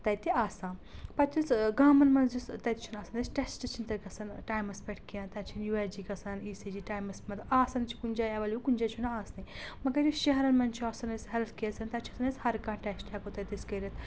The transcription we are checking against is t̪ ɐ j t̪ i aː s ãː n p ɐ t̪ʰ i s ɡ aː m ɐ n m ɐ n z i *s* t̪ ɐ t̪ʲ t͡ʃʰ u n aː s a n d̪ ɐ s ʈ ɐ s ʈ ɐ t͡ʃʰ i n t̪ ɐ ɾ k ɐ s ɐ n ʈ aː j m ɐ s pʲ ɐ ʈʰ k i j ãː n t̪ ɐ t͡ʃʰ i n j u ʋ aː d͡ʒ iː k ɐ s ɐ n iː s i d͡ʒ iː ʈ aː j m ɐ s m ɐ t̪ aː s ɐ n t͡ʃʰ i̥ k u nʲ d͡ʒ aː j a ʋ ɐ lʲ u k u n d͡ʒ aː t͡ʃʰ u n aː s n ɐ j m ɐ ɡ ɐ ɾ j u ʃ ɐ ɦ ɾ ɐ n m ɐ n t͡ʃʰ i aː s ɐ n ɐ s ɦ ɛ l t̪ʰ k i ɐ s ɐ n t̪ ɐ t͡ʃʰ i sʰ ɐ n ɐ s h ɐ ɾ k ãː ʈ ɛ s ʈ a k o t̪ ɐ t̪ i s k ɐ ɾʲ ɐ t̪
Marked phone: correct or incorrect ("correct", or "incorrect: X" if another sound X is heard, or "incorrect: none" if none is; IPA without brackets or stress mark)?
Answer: correct